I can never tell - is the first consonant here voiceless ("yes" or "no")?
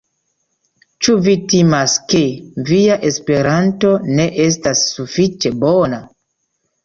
yes